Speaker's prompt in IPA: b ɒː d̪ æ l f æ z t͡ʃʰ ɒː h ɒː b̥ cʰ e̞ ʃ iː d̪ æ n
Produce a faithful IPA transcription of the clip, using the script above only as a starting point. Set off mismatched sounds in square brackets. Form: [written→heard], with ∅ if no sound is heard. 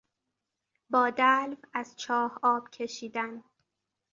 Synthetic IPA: b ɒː d̪ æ l [f→v] æ z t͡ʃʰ ɒː h ɒː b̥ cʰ e̞ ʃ iː d̪ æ n